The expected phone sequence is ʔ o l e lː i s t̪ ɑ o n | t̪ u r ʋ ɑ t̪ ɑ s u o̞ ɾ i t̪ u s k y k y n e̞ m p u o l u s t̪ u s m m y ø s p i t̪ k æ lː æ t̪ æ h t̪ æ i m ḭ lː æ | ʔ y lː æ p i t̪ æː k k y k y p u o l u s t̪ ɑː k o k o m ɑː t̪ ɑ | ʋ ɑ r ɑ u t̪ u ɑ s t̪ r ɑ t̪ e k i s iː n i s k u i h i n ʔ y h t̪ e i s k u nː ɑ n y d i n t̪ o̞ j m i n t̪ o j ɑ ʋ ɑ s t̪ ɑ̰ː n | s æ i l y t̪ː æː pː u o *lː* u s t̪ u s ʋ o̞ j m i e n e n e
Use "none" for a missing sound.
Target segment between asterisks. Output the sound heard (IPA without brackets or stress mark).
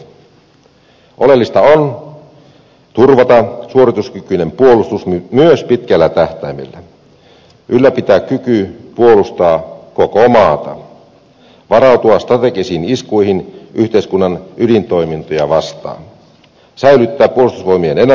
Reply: l